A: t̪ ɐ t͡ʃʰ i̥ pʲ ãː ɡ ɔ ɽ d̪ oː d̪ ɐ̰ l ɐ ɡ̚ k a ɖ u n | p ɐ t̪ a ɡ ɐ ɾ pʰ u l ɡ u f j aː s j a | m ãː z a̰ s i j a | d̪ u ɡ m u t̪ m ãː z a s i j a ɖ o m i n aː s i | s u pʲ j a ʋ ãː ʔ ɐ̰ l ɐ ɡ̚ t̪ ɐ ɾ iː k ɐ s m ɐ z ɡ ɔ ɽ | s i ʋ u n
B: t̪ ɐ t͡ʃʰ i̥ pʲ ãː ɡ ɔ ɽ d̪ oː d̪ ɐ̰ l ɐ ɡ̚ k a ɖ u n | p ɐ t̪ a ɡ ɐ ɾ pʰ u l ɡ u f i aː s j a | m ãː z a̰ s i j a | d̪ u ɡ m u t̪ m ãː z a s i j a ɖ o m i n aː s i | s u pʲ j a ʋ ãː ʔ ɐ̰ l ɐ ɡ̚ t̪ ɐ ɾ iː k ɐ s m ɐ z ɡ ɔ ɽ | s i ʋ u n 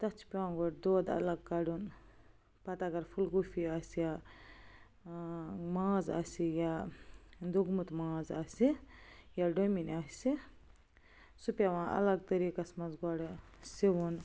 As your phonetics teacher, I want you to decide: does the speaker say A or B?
B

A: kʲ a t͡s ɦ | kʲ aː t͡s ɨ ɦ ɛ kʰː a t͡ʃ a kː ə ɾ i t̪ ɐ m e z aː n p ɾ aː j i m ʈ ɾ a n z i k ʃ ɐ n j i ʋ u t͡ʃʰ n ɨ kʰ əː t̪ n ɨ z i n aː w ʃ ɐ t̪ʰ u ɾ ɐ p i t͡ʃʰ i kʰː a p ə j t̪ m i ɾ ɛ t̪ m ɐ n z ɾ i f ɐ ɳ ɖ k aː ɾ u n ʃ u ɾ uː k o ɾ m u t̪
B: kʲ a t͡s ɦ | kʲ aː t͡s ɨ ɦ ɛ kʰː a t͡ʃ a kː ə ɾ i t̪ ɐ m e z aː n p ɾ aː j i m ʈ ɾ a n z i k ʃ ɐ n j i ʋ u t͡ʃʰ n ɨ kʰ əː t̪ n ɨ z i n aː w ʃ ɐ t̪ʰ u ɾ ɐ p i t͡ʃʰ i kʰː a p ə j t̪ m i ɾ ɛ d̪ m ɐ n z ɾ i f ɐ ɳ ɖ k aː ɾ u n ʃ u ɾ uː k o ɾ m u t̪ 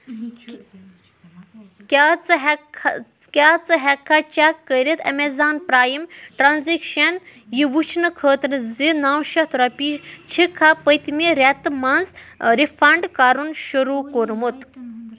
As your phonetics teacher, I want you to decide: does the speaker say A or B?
A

